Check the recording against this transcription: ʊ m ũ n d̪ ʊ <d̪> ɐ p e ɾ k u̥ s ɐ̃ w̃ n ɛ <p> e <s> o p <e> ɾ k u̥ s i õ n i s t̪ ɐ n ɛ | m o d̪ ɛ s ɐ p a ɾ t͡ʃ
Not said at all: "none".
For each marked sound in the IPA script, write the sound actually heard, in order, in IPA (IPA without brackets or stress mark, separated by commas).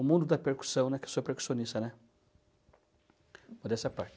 d̪, k, s, e